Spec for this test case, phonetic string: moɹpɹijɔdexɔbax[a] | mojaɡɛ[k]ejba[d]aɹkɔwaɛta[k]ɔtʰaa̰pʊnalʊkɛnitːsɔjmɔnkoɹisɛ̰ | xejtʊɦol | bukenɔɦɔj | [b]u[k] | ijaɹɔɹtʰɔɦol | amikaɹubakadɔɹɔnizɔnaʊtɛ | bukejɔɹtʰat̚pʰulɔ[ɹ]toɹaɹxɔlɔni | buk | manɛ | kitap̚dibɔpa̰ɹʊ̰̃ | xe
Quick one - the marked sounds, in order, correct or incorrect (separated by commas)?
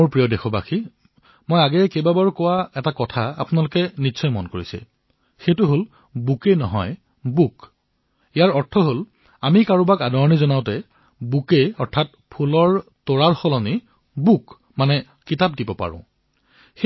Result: incorrect, correct, incorrect, correct, correct, correct, correct